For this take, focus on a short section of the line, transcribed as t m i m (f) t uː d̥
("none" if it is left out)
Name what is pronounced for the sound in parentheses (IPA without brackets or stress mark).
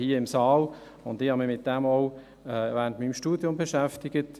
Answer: ʃ